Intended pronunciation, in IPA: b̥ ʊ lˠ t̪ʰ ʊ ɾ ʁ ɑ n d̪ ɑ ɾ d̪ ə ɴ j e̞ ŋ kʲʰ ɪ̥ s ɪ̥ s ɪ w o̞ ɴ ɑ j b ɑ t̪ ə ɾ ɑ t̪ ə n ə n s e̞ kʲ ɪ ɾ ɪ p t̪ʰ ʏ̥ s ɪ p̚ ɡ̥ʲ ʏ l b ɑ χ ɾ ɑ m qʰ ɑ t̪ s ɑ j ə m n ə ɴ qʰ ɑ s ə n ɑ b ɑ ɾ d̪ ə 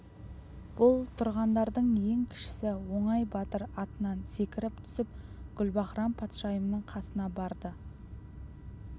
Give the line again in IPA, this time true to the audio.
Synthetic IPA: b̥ ʊ lˠ t̪ʰ ʊ ɾ ʁ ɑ n d̪ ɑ ɾ d̪ ə ɴ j e̞ ŋ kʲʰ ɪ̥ ʃ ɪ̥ s ɪ w o̞ ɴ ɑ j b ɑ t̪ ə ɾ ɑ t̪ ə n ɑ n s e̞ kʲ ɪ ɾ ɪ p t̪ʰ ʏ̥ s ɪ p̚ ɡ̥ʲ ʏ l b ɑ χ ɾ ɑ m pʰ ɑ t̪ ʃ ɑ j ə m n ə ɴ qʰ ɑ s ə n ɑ b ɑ ɾ d̪ ə

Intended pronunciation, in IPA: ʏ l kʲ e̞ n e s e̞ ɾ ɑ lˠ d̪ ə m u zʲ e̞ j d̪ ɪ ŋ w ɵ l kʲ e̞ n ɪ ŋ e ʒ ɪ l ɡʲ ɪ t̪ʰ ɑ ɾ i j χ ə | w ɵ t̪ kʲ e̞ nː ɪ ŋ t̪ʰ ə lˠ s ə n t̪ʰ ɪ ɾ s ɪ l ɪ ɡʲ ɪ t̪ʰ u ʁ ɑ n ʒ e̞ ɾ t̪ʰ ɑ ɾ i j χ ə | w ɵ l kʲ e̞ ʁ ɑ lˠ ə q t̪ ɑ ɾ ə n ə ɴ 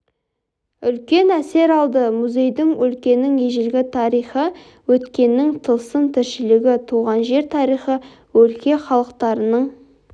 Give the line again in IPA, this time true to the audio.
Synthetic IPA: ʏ l kʲ e̞ n æ s e̞ ɾ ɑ lˠ d̪ ə m u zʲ e̞ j d̪ ɪ ŋ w ɵ l kʲ e̞ n ɪ ŋ e ʒ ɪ l ɡʲ ɪ t̪ʰ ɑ ɾ i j χ ə | w ɵ t̪ kʲ e̞ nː ɪ ŋ t̪ʰ ə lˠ s ə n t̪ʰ ɪ ɾ ʃ ɪ l ɪ ɡʲ ɪ t̪ʰ u ʁ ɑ n ʒ e̞ ɾ t̪ʰ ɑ ɾ i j χ ə | w ɵ l kʲ e̞ χ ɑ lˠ ə q t̪ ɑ ɾ ə n ə ɴ

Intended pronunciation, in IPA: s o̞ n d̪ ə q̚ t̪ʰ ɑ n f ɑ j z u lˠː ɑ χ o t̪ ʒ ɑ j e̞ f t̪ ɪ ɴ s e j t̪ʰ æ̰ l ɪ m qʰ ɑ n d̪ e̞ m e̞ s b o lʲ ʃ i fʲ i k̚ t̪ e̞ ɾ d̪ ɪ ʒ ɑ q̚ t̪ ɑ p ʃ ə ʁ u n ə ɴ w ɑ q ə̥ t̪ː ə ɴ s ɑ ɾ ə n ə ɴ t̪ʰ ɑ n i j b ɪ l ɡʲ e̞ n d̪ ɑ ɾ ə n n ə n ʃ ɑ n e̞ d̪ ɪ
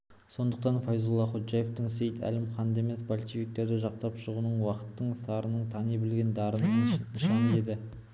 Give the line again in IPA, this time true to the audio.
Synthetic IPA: s o̞ n d̪ ə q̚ t̪ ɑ n f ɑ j z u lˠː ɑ χ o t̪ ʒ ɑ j e̞ f t̪ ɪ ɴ s e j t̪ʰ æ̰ l ɪ m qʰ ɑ n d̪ e̞ m e̞ s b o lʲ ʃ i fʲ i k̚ t̪ e̞ ɾ d̪ ɪ ʒ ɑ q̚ t̪ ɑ p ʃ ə ʁ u n ə ɴ w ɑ q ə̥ t̪ː ə ɴ s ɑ ɾ ə n ə ɴ t̪ʰ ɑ n i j b ɪ l ɡʲ e̞ n d̪ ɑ ɾ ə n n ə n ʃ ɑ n e̞ d̪ ɪ

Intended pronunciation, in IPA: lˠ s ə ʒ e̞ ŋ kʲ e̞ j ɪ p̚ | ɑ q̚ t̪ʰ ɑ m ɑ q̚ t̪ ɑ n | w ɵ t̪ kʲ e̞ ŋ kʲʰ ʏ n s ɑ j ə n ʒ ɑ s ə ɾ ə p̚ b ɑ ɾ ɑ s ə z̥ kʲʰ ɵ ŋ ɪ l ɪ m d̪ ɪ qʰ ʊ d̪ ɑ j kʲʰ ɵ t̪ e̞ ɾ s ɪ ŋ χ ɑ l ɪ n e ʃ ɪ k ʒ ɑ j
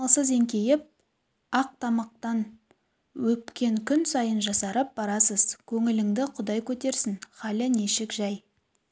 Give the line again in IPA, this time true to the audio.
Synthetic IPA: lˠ s ə z e̞ ŋ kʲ e̞ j ɪ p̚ | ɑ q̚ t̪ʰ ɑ m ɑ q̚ t̪ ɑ n | w ɵ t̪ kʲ e̞ ŋ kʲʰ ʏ n s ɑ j ə n ʒ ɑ s ɑ ɾ ə p̚ b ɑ ɾ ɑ s ə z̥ kʲʰ ɵ ŋ ɪ l ɪ ŋ d̪ ɪ qʰ ʊ d̪ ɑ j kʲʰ ɵ t̪ e̞ ɾ s ɪ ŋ χ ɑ l ɪ n e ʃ ɪ k ʒ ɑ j

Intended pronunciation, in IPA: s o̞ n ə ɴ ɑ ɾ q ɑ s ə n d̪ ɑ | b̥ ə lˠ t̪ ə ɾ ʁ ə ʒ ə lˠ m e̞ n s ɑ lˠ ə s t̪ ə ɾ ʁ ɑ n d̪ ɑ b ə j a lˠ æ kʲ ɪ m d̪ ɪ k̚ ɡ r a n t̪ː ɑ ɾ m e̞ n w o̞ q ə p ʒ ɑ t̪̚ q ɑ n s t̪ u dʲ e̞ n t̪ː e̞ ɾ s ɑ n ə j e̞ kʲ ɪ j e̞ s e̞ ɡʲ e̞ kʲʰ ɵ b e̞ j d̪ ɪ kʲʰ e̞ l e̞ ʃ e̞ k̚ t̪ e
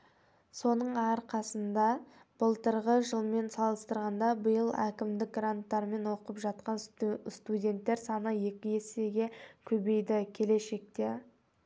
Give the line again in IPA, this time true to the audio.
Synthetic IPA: s o̞ n ə ɴ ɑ ɾ q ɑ s ə n d̪ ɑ | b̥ ə lˠ t̪ ə ɾ ʁ ə ʒ ə lˠ m e̞ n s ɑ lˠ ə s t̪ ə ɾ ʁ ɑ n d̪ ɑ b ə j ə lˠ æ kʲ ɪ m d̪ ɪ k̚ ɡ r a n t̪ː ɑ ɾ m e̞ n w o̞ q ə p ʒ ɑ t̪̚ q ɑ n s t̪ u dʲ e̞ n t̪ː e̞ ɾ s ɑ n ə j e̞ kʲ ɪ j e̞ s e̞ ɡʲ e̞ kʲʰ ɵ b e̞ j d̪ ɪ kʲʰ e̞ l e̞ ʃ e̞ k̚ t̪ e

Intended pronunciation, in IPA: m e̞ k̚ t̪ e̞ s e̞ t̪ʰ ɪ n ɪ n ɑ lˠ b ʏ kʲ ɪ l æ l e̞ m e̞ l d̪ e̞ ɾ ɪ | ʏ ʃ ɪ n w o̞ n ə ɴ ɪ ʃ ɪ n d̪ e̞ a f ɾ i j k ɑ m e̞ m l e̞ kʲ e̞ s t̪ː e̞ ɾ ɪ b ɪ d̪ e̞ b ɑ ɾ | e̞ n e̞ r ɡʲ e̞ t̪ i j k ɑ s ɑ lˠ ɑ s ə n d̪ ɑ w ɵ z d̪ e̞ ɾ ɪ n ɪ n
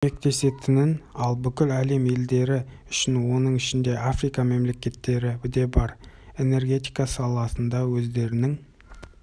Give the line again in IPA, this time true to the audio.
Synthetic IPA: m e̞ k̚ t̪ e̞ s e̞ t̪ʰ ɪ n ɪ n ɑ lˠ b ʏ kʲ ɪ l æ l e̞ m e̞ l d̪ e̞ ɾ ɪ | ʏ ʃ ɪ n w o̞ n ə ɴ ɪ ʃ ɪ n d̪ e̞ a f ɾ i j k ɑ m e̞ m l e̞ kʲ e̞ t̪ː e̞ ɾ ɪ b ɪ d̪ e̞ b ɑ ɾ | e̞ n e̞ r ɡʲ e̞ t̪ i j k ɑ s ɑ lˠ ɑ s ə n d̪ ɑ w ɵ z d̪ e̞ ɾ ɪ n ɪ ŋ

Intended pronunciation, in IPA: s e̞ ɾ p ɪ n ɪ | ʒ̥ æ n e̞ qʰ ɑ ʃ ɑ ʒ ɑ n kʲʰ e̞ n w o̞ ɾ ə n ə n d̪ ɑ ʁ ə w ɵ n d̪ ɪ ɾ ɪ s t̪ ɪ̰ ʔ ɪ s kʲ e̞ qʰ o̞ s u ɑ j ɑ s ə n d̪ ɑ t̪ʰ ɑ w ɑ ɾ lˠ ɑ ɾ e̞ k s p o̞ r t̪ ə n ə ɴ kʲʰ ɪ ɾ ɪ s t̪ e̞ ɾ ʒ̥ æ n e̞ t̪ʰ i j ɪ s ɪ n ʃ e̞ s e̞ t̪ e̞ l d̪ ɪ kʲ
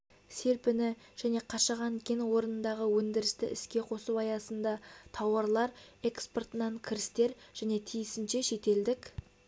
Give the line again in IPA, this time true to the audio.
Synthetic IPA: s e̞ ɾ p ɪ n ɪ | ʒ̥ æ n e̞ qʰ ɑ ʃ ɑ ʁ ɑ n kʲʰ e̞ n w o̞ ɾ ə n ə n d̪ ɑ ʁ ə w ɵ n d̪ ɪ ɾ ɪ s t̪ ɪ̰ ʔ ɪ s kʲ e̞ qʰ o̞ s u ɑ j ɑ s ə n d̪ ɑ t̪ʰ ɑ w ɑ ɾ lˠ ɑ ɾ e̞ k s p o̞ r t̪ ə n ɑ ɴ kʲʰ ɪ ɾ ɪ s t̪ e̞ ɾ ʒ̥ æ n e̞ t̪ʰ i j ɪ s ɪ n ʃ e̞ ʃ e̞ t̪ e̞ l d̪ ɪ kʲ

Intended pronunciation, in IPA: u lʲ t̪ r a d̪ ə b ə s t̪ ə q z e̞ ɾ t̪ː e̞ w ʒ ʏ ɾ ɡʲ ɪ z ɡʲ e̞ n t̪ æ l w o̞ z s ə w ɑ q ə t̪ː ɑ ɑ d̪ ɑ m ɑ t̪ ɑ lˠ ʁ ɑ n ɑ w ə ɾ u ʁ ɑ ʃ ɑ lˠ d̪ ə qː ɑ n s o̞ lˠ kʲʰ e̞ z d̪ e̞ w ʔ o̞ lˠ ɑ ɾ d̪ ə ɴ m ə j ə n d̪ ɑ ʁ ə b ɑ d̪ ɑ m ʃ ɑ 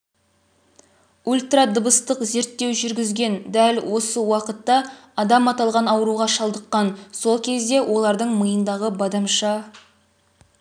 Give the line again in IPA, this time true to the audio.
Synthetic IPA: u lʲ t̪ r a d̪ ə b ə s t̪ ə q z e̞ ɾ t̪ː e̞ w ʒ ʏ ɾ ɡʲ ɪ z ɡʲ e̞ n d̪ æ l w o̞ s ə w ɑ q ə t̪ː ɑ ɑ d̪ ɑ m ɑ t̪ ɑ lˠ ʁ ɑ n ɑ w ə ɾ u ʁ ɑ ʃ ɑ lˠ d̪ ə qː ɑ n s o̞ lˠ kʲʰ e̞ z d̪ e̞ w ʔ o̞ lˠ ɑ ɾ d̪ ə ɴ m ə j ə n d̪ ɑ ʁ ə b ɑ d̪ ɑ m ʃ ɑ

